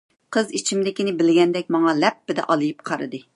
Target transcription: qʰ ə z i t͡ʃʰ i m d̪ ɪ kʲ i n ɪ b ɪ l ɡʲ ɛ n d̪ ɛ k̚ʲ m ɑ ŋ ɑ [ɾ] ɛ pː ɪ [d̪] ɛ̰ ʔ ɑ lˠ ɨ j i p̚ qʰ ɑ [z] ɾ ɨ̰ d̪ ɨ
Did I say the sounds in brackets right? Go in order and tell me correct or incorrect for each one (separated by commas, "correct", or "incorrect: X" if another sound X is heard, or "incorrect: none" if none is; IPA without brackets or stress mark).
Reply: incorrect: l, correct, incorrect: none